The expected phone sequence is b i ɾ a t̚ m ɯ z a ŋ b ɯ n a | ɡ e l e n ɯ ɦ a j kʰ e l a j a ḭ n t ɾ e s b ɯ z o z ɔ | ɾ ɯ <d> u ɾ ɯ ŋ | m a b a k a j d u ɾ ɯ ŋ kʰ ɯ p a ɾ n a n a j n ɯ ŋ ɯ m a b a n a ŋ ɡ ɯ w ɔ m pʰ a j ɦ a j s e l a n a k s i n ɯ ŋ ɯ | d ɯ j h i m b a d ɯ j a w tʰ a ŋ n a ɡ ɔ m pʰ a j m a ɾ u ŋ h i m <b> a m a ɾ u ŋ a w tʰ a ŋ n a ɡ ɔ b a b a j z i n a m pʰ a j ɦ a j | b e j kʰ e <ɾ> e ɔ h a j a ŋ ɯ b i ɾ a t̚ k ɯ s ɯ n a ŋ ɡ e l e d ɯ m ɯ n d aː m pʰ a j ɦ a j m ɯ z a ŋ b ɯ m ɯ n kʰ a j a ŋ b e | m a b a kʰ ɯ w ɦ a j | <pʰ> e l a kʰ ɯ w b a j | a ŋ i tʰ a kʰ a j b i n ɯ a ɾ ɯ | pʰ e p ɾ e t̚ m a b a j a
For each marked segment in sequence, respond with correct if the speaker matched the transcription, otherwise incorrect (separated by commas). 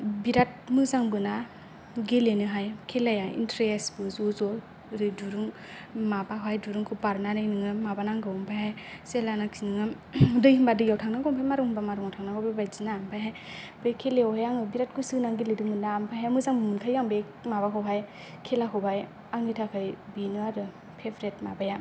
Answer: correct, correct, incorrect, incorrect